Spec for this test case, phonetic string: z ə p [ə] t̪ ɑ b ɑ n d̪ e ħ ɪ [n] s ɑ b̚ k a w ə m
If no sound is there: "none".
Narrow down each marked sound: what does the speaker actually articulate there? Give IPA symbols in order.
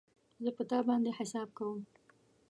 ə, none

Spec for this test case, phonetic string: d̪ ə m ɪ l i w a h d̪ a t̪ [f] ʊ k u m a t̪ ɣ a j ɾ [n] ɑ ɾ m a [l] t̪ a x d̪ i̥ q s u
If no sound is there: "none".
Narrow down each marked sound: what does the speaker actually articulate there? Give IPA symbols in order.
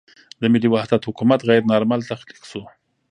h, n, l

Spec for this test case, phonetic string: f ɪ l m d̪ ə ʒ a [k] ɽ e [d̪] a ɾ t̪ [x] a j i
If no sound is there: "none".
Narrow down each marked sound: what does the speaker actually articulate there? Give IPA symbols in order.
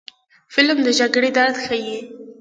ɡ, d̪, x

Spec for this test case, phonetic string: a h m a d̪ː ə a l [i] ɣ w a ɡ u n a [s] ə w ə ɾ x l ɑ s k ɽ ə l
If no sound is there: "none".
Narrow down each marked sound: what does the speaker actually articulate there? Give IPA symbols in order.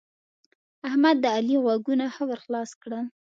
i, x

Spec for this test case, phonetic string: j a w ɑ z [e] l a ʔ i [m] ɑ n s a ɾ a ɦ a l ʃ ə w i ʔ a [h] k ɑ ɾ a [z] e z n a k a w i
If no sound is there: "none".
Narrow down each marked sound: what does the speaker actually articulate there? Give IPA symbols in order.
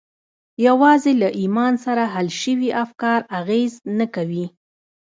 e, m, f, ɣ

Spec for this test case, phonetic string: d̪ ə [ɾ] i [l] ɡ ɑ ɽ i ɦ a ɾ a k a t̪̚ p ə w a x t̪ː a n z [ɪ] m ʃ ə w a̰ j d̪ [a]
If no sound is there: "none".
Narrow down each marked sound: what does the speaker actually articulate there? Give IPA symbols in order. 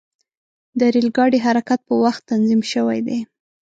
ɾ, l, i, e

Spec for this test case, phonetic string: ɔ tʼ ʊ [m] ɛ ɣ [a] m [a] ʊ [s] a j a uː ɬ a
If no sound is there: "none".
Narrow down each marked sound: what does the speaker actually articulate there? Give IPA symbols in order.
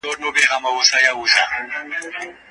b, a, a, s

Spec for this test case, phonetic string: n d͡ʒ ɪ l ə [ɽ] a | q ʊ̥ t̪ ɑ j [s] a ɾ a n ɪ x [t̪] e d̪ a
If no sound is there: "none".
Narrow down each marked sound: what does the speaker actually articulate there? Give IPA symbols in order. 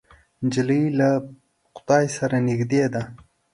l, s, d̪

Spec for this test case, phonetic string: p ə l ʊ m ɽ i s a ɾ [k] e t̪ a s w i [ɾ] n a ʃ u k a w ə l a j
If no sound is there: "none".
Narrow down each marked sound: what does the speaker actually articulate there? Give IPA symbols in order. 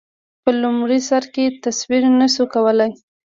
k, ɾ

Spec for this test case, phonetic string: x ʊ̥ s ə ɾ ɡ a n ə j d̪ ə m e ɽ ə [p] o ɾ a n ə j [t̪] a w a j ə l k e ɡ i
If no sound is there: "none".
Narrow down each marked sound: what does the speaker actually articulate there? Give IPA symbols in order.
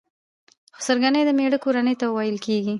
k, t̪

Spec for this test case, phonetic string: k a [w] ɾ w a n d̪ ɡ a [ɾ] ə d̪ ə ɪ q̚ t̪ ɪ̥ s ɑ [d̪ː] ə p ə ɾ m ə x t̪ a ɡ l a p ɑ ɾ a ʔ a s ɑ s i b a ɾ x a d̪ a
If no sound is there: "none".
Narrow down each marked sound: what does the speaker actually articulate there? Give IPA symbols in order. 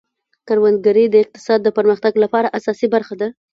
none, ɾ, d̪ː

